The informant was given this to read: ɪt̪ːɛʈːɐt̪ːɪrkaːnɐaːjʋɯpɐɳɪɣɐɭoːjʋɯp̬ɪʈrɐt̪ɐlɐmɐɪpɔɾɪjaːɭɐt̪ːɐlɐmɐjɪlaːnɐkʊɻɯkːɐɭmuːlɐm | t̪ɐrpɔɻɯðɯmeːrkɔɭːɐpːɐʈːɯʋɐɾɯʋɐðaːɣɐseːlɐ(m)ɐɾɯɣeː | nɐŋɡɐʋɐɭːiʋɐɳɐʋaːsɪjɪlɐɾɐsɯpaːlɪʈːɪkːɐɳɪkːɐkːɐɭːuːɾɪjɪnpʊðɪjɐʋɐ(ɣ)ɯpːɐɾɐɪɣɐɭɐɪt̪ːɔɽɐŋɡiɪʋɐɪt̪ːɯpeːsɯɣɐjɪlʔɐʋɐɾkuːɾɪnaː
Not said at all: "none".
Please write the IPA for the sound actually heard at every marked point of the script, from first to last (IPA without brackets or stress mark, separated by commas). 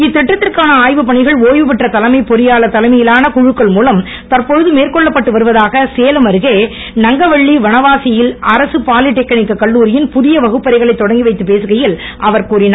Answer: m, ɣ